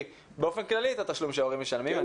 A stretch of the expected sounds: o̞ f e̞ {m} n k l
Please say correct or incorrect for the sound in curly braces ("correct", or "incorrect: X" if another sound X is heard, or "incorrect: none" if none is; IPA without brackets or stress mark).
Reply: incorrect: none